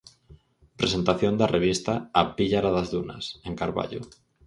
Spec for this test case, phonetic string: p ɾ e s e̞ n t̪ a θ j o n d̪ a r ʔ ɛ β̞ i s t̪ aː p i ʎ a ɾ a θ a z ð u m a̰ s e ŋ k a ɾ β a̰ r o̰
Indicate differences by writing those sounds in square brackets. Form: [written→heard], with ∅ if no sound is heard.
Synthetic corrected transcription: p ɾ e s e̞ n t̪ a θ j o n d̪ a r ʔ [ɛ→e] β̞ i s t̪ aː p i ʎ a ɾ a [θ→ð] a z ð u [m→n] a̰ s e ŋ k a ɾ β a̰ [r→ʎ] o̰